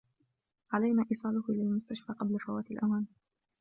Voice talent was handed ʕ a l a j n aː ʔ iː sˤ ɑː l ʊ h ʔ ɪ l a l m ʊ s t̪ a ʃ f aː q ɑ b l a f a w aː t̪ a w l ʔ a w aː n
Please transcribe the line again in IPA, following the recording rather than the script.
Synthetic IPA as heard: ʕ a l a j n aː ʔ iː sˤ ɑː l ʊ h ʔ ɪ l a l m ʊ s t̪ a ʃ f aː q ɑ b l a f a w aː t̪ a l ʔ a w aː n